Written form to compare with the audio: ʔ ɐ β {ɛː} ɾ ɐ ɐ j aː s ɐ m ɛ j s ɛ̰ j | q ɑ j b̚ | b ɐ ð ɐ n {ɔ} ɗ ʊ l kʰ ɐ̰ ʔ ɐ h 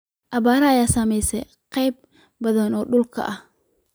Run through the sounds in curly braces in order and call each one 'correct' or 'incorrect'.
incorrect: aː, incorrect: ɔː

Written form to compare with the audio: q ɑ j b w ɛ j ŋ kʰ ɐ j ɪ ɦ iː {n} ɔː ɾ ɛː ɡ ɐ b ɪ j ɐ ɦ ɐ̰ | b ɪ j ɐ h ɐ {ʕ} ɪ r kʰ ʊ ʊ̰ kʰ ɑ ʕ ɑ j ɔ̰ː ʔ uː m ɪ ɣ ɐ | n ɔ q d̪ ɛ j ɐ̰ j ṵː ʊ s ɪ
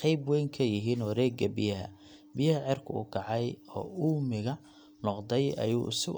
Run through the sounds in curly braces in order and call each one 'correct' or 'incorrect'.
correct, correct

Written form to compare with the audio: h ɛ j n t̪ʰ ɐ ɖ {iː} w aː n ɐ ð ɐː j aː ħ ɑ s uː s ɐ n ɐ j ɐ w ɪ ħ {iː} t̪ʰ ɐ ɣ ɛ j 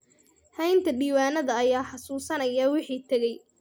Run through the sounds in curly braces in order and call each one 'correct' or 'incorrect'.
correct, correct

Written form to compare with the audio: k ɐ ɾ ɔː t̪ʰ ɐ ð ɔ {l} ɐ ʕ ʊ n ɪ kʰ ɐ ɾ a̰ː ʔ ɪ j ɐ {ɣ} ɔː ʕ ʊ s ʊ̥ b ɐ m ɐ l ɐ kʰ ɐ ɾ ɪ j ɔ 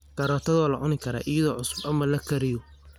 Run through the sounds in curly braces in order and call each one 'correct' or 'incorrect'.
correct, incorrect: ð

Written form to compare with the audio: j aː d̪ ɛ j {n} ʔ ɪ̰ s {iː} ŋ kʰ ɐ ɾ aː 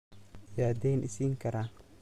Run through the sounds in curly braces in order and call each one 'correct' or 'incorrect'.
correct, correct

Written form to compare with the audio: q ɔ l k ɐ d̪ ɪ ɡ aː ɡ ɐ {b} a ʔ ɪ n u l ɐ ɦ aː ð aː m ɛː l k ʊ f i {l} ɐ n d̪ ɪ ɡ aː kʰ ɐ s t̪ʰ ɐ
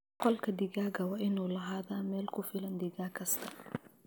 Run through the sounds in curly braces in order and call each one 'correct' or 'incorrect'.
incorrect: w, correct

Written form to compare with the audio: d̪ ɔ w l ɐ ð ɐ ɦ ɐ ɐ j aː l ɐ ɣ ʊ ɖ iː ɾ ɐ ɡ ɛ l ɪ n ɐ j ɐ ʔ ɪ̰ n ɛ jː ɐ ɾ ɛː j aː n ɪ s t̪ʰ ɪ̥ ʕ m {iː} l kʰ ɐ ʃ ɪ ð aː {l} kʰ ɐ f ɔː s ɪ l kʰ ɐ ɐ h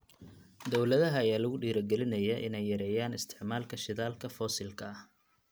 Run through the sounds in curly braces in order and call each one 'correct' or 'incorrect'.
incorrect: aː, correct

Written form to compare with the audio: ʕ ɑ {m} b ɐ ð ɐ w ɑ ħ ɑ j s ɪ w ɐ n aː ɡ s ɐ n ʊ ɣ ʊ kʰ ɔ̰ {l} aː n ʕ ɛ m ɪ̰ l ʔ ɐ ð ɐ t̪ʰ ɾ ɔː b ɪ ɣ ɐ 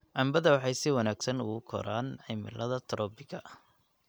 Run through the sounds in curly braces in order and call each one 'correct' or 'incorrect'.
correct, incorrect: ɾ

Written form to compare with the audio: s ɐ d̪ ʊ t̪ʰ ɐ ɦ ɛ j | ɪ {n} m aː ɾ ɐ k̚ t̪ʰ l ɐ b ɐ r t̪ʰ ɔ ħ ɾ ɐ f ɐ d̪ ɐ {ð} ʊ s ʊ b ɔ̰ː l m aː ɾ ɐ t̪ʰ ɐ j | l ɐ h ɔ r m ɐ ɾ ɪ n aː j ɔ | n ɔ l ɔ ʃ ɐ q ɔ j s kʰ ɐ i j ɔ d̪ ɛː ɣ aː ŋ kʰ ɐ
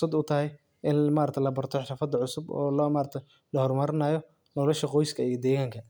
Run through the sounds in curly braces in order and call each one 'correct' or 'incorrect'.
correct, incorrect: ʕ

